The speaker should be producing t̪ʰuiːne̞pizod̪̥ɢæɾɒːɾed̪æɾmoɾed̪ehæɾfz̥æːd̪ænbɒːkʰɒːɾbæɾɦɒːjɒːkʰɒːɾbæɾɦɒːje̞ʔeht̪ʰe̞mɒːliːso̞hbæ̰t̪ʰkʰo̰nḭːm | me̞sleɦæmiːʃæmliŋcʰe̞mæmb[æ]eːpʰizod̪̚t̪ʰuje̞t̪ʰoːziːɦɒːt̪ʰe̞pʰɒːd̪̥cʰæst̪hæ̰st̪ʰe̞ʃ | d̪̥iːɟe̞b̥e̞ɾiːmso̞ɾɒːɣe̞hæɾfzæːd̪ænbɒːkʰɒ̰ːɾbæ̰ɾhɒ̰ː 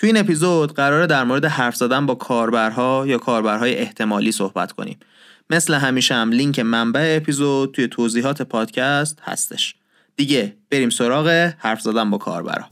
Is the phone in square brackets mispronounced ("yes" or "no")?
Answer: no